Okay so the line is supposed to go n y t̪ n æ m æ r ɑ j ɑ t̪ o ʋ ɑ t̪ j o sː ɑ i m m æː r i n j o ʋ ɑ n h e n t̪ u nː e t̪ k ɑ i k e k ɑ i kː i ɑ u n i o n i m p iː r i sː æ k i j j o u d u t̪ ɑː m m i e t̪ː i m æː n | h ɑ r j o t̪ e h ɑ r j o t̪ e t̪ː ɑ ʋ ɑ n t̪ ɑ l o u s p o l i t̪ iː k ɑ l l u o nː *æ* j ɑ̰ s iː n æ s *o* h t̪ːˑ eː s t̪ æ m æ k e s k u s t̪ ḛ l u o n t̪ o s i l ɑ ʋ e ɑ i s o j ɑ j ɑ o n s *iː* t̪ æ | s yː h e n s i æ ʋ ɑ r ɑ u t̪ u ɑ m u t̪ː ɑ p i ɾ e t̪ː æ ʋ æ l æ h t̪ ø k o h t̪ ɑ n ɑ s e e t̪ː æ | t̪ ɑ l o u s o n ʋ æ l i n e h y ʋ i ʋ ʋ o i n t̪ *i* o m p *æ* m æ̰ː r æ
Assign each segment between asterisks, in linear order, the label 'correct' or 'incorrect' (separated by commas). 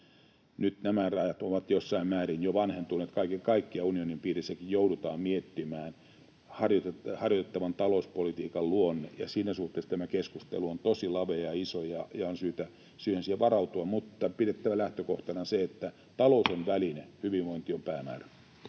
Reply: incorrect, incorrect, incorrect, correct, incorrect